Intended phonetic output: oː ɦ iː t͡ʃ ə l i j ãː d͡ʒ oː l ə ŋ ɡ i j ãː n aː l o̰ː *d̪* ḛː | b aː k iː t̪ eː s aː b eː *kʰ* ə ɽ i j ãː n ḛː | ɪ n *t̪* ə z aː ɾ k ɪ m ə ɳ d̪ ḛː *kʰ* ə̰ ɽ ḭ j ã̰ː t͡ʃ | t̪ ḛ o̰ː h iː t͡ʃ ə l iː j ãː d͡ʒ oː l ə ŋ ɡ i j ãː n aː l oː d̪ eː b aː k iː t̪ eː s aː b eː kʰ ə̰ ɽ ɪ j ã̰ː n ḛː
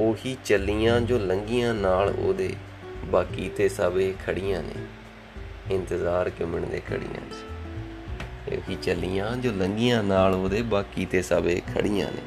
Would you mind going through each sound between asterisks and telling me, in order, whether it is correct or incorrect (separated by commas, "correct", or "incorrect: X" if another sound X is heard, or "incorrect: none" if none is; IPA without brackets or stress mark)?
correct, correct, correct, correct